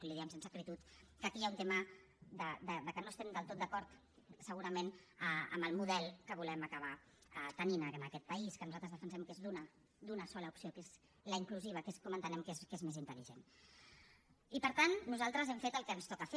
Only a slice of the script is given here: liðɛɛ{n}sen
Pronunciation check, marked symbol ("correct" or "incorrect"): incorrect